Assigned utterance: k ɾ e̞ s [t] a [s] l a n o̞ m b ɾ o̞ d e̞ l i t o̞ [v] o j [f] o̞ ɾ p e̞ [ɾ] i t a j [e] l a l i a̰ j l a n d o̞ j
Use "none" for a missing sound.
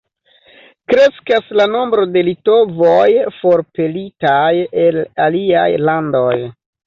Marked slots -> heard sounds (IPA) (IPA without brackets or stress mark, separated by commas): k, s, v, f, l, e